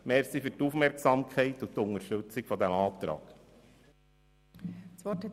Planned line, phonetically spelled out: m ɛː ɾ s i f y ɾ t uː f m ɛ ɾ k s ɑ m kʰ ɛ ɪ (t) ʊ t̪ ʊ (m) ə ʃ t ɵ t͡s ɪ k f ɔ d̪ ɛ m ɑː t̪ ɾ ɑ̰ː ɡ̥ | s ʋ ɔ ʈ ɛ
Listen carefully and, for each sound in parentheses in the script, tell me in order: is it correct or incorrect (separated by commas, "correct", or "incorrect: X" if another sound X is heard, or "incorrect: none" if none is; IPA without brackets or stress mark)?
correct, incorrect: ŋ